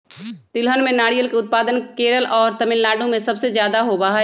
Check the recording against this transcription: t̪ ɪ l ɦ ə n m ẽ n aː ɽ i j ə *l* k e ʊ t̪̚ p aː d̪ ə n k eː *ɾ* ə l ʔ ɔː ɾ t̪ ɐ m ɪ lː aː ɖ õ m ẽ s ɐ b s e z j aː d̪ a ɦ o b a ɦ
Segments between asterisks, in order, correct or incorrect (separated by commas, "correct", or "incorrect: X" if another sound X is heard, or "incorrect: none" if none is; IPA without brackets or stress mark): correct, correct